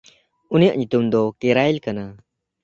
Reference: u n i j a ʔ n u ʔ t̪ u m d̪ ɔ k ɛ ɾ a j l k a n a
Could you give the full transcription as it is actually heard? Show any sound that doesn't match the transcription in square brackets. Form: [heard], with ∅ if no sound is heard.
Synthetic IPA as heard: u n i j a ʔ [ɲ] u [∅] t̪ u m d̪ ɔ k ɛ ɾ a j l k a n a